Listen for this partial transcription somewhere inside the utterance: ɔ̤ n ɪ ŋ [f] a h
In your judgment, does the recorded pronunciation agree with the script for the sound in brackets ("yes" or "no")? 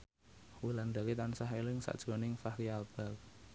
yes